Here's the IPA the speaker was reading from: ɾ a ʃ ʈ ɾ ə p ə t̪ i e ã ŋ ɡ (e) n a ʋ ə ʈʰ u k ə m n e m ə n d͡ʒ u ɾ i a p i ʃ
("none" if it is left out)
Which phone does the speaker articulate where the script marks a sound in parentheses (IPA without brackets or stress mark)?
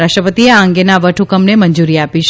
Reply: e